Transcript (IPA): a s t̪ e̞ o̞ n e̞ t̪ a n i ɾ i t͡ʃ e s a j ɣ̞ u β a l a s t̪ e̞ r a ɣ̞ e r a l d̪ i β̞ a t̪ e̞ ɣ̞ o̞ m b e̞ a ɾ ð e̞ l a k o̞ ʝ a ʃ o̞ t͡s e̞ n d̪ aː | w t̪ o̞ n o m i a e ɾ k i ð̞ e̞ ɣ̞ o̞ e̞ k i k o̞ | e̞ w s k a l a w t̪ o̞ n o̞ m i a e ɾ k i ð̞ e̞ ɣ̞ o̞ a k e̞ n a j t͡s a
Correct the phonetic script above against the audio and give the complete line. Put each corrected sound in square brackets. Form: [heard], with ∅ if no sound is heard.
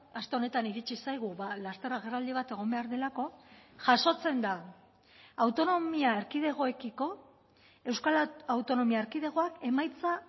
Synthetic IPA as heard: a s t̪ e̞ o̞ n e̞ t̪ a n i ɾ i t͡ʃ [i] s a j ɣ̞ u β a l a s t̪ e̞ r a ɣ̞ e r a l d̪ i β̞ a t̪ e̞ ɣ̞ o̞ m b e̞ a ɾ ð e̞ l a k o̞ ʝ a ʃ o̞ t͡s e̞ n d̪ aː | w t̪ o̞ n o m i a e ɾ k i ð̞ e̞ ɣ̞ o̞ e̞ k i k o̞ | e̞ w s k a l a w t̪ o̞ n o̞ m i a e ɾ k i ð̞ e̞ ɣ̞ o̞ a k e̞ [m] a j t͡s a